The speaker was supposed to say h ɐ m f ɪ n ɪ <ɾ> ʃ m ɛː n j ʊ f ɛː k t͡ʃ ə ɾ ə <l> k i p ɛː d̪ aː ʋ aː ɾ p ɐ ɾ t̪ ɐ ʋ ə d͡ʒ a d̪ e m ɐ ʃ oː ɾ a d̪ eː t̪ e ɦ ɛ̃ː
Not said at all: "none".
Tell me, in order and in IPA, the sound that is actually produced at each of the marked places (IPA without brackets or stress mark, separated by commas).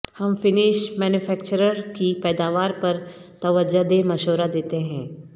none, ɾ